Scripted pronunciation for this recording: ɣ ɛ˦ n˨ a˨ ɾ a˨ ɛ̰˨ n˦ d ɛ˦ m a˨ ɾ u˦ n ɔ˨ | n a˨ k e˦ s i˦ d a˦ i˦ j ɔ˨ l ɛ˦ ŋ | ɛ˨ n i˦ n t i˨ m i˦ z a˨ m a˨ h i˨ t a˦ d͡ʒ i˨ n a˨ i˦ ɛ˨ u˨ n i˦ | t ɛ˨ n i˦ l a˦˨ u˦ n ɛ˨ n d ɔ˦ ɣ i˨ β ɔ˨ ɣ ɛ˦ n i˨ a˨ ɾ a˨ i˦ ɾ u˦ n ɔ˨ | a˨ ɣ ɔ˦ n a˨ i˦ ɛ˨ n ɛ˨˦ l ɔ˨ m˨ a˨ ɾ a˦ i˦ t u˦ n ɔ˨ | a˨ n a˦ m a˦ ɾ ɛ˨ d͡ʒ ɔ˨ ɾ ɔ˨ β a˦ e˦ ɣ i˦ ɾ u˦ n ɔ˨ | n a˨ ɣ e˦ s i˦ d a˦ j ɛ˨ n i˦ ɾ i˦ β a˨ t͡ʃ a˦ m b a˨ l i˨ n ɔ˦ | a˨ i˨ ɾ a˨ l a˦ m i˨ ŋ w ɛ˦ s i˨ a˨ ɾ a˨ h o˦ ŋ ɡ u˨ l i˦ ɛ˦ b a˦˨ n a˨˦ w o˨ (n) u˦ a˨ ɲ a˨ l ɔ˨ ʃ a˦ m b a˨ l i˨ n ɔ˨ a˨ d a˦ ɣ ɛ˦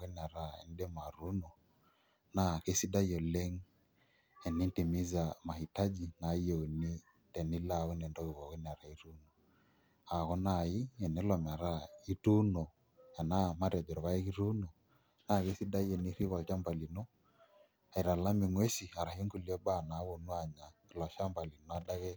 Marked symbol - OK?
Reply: yes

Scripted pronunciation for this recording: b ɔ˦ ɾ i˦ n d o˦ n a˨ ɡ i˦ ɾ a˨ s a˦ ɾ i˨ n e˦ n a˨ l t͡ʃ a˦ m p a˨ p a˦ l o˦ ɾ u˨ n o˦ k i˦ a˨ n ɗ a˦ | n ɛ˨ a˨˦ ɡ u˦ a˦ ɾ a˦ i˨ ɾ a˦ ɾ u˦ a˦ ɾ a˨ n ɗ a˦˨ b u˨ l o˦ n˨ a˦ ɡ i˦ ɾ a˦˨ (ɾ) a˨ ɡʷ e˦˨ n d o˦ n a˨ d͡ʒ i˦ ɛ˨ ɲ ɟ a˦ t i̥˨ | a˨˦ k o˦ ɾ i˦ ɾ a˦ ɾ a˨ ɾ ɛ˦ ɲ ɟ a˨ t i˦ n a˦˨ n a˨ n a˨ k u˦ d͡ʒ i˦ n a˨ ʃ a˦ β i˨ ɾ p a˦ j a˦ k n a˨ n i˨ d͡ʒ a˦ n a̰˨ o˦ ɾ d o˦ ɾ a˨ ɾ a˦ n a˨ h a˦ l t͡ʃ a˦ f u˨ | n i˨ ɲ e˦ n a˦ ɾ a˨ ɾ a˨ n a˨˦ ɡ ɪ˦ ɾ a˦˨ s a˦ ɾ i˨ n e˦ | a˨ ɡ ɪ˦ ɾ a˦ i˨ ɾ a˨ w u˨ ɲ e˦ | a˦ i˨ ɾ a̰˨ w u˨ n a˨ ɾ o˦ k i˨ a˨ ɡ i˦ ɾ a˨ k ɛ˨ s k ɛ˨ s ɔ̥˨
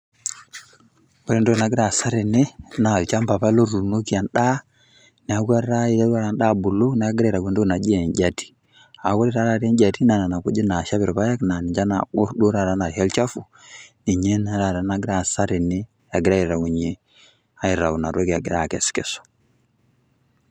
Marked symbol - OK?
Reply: yes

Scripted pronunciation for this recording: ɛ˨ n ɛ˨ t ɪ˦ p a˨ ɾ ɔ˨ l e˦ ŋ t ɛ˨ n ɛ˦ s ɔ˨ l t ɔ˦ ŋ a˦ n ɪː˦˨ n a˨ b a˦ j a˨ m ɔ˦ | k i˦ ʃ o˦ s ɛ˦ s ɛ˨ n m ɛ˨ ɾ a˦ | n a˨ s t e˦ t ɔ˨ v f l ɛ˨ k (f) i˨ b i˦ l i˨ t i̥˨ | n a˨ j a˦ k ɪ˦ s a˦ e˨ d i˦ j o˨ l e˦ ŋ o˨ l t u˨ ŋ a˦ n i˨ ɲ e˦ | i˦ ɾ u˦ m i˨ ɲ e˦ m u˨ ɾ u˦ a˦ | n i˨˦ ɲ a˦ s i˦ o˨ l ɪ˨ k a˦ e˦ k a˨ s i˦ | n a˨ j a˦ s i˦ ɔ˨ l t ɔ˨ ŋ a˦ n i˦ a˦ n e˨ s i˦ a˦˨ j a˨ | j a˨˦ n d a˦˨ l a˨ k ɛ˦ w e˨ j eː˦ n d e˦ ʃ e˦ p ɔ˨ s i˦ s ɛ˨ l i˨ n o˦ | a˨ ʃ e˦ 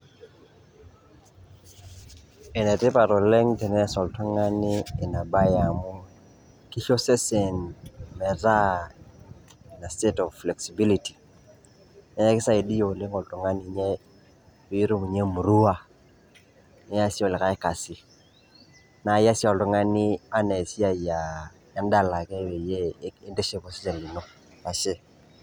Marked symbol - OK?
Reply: no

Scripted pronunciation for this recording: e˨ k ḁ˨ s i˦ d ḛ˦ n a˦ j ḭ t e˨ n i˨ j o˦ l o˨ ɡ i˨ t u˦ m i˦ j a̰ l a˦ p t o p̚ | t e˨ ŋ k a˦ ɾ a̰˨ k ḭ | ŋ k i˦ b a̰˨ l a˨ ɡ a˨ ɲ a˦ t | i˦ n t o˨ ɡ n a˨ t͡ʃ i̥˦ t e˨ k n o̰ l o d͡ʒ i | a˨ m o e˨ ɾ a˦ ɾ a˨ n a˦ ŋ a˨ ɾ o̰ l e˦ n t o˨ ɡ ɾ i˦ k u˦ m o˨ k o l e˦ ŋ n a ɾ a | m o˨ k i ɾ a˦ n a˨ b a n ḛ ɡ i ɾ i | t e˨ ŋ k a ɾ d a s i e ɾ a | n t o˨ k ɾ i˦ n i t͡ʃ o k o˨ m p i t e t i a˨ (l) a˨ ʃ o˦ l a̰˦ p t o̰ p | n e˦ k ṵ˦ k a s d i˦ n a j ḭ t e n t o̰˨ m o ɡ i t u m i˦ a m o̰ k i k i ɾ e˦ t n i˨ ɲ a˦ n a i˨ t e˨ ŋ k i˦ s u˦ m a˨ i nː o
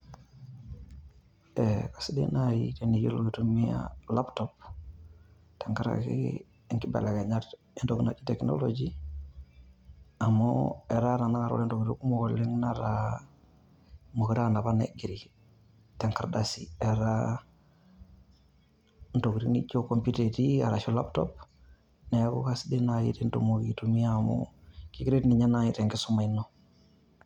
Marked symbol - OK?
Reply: no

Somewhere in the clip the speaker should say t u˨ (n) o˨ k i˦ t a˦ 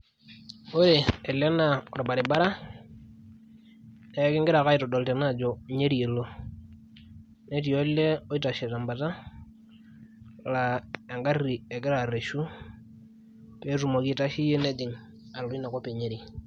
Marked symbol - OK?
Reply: no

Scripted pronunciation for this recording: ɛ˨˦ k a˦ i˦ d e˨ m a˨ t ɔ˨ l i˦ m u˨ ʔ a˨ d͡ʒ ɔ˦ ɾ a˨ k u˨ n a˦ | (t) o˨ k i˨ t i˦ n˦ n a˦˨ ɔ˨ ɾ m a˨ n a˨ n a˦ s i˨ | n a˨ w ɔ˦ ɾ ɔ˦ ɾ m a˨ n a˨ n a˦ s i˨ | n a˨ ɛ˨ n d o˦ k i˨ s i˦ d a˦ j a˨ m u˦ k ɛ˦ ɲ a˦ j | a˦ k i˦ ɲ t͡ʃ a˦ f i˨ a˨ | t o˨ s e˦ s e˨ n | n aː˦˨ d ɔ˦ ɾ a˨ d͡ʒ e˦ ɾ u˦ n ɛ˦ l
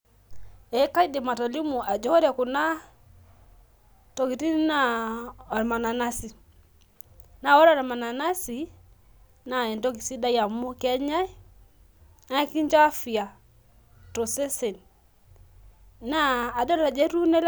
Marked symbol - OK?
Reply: yes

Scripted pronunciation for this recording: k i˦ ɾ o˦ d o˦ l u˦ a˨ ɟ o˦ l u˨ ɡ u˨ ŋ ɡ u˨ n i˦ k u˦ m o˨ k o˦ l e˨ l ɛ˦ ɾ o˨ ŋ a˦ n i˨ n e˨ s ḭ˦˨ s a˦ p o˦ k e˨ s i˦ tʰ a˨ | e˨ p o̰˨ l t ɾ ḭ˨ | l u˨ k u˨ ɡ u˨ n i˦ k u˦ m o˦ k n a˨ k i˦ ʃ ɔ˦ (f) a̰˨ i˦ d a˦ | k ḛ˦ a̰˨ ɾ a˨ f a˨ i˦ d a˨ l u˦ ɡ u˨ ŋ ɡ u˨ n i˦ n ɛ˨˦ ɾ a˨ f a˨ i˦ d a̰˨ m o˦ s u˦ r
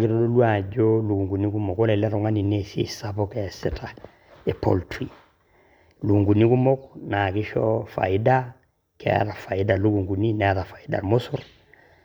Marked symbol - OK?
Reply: yes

